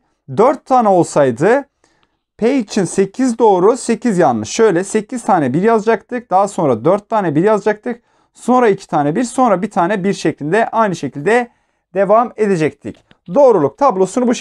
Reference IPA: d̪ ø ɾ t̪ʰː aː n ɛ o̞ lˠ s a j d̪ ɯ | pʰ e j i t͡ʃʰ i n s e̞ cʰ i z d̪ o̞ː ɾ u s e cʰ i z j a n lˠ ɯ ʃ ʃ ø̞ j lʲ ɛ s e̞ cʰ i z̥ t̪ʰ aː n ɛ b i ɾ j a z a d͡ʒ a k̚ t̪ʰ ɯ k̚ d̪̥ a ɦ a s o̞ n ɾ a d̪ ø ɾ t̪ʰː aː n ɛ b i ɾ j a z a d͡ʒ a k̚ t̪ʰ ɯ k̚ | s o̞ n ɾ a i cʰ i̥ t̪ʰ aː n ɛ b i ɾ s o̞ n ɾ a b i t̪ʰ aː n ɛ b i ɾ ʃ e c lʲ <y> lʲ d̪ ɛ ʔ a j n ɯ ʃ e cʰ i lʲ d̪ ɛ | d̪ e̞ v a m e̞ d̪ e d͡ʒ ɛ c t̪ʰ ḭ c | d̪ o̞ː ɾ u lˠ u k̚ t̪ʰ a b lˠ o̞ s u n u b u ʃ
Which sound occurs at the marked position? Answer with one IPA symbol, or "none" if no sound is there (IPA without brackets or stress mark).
i